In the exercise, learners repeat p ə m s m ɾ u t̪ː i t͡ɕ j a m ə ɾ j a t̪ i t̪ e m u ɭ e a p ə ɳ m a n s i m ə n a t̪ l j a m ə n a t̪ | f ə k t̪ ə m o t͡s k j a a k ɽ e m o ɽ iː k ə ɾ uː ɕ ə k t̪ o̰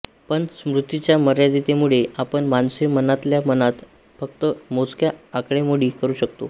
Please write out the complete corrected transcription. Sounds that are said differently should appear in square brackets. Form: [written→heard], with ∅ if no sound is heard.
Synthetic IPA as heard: p ə [m→ɳ] s m ɾ u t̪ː i t͡ɕ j a m ə ɾ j a [t̪→d̪] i t̪ e m u ɭ e a p ə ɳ m a n s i m ə n a t̪ l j a m ə n a t̪ | f ə k t̪ ə m o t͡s k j a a k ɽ e m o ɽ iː k ə ɾ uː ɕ ə k t̪ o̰